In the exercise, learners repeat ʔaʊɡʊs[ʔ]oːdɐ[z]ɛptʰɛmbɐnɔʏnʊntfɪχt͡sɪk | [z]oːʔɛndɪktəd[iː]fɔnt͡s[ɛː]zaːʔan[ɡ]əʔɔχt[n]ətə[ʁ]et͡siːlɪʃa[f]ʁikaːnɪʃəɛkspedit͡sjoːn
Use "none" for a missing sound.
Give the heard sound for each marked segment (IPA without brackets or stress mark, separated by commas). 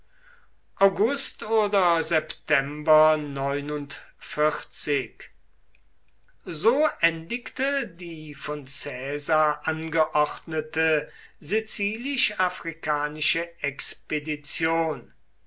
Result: t, z, z, iː, ɛː, ɡ, n, z, f